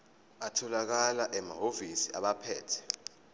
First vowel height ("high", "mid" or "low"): low